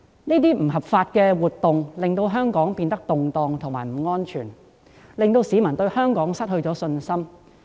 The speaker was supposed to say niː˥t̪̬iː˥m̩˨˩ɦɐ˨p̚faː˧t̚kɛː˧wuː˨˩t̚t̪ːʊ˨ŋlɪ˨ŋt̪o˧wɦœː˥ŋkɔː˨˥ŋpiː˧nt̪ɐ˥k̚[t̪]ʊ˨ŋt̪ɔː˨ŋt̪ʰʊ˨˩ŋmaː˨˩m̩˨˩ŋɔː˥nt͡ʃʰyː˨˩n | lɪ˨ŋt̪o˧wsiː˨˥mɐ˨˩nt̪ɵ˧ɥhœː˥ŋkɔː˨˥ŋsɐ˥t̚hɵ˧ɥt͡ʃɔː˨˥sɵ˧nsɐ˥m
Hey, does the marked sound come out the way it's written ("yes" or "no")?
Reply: yes